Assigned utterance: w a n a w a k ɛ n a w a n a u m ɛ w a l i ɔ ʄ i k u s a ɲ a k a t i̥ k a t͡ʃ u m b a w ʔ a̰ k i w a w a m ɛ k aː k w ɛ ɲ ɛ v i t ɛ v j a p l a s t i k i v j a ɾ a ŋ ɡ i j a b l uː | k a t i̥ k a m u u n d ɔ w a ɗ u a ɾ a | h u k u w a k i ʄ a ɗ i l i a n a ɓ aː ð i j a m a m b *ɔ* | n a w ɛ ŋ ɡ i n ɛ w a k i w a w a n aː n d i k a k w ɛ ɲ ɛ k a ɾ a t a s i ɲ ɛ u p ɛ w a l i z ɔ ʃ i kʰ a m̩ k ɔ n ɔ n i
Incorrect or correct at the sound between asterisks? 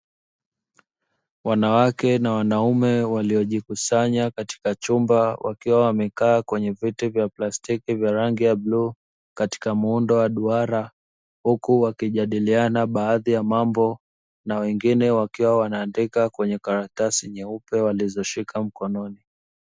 correct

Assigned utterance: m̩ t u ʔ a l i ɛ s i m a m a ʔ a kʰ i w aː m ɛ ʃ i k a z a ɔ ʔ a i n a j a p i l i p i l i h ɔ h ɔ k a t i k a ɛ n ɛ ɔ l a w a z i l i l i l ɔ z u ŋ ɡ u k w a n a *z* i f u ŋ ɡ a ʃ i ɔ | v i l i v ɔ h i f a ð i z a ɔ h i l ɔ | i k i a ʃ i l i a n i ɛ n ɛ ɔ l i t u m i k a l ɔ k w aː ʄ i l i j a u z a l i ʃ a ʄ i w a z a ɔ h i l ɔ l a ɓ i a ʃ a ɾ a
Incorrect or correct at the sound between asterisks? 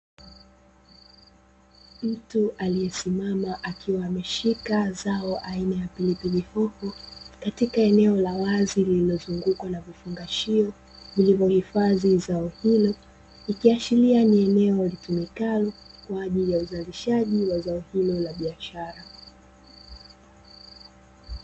incorrect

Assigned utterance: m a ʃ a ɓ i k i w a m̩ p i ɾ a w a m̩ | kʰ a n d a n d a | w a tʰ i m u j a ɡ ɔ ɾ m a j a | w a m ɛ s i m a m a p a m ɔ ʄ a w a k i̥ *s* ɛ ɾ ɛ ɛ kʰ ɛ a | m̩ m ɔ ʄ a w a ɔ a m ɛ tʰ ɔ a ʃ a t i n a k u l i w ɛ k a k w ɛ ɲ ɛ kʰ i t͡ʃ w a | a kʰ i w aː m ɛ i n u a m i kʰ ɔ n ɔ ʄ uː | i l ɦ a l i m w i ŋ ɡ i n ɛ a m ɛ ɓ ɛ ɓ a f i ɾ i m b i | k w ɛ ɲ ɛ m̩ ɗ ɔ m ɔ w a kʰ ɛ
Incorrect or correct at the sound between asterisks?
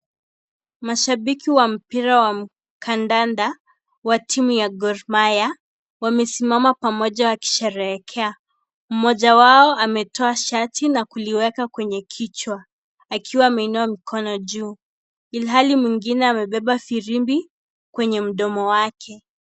incorrect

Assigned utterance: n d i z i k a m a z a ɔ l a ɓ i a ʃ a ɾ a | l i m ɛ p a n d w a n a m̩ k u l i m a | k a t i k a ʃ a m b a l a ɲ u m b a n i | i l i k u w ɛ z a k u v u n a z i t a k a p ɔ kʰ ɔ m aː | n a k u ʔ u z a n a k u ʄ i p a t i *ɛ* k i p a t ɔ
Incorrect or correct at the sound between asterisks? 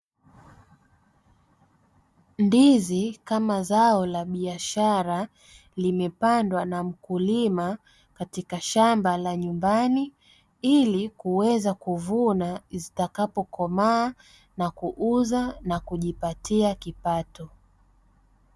incorrect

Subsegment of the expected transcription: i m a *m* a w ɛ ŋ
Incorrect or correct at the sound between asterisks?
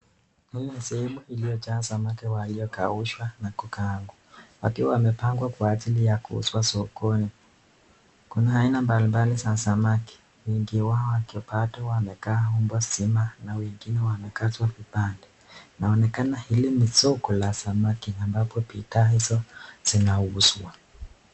incorrect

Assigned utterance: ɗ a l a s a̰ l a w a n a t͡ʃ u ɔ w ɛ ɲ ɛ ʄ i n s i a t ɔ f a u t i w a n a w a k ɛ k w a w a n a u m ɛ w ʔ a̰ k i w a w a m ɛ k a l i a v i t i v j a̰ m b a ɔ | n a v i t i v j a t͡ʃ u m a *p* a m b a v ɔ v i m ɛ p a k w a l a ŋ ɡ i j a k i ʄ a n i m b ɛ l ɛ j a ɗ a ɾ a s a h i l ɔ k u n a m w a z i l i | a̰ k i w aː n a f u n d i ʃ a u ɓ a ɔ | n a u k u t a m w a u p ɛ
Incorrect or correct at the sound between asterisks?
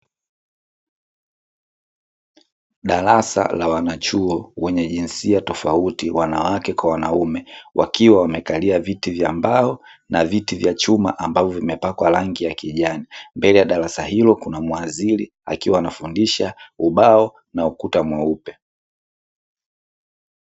incorrect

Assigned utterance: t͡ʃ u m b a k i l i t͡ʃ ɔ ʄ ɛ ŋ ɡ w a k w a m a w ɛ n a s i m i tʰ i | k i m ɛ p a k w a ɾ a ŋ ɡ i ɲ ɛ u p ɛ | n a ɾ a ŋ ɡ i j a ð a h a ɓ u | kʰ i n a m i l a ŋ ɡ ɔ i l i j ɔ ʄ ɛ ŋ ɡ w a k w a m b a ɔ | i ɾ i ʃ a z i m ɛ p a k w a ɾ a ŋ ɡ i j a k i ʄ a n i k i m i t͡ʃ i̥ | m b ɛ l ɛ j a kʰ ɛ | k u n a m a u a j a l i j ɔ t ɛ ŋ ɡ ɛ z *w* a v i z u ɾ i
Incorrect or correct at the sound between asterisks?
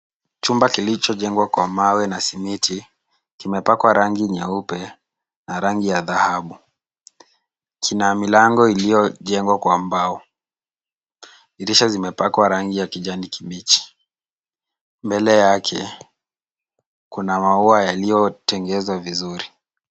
correct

